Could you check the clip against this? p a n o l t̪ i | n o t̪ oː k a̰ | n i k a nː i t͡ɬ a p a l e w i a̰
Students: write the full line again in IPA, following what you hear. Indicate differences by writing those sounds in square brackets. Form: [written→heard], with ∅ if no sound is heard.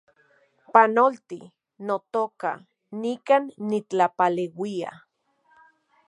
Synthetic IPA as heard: p a n o l t̪ i | n o t̪ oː k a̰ | n i k a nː i t͡ɬ a p a l e w i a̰